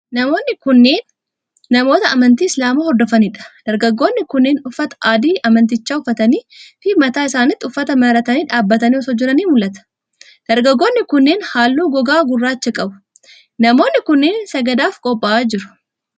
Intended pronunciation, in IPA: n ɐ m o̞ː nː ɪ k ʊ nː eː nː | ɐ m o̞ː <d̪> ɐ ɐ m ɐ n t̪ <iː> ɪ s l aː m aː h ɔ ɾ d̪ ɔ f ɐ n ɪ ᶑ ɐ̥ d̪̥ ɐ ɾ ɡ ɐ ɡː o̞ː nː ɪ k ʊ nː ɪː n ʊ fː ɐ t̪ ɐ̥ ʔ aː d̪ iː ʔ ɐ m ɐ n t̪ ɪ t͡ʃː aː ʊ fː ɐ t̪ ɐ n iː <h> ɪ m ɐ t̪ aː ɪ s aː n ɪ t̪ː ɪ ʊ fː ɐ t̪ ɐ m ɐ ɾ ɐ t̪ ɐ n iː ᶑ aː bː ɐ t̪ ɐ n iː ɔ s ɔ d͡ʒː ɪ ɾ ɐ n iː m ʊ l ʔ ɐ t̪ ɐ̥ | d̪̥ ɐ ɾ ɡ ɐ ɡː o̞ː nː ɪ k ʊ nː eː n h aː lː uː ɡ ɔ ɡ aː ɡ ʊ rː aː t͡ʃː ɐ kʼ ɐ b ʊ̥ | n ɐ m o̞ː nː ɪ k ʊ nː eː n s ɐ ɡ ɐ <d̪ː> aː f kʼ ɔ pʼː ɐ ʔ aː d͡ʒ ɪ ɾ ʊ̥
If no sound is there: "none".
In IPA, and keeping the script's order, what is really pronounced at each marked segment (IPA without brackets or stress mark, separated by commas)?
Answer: t̪, iː, f, d̪